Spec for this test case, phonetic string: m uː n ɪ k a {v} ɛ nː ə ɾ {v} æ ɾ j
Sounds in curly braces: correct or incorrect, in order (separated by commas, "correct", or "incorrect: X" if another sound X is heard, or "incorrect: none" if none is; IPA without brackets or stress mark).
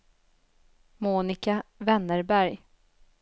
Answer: correct, incorrect: b